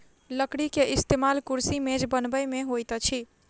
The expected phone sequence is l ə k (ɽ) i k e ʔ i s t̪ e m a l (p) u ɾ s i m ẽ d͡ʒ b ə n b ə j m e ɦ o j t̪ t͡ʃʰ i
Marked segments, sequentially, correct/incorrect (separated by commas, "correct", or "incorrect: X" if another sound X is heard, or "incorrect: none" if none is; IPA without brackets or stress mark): correct, incorrect: k